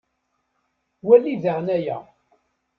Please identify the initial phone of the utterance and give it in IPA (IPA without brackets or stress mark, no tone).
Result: w